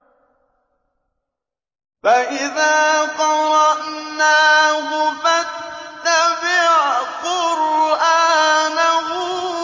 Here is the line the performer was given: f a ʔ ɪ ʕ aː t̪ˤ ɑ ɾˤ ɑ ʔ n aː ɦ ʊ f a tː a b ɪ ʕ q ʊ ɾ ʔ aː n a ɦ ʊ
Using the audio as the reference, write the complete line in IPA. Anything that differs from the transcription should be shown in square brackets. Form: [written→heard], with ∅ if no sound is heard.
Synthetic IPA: f a ʔ ɪ [ʕ→ð] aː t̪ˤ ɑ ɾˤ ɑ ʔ n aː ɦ ʊ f a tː a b ɪ ʕ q ʊ ɾ ʔ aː n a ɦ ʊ